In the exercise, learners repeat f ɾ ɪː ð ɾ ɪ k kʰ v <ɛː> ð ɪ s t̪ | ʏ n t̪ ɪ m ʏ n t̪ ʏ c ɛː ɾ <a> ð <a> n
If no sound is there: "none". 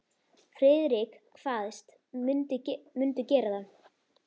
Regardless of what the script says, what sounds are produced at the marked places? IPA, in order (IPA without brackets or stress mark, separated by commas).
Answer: aː, a, a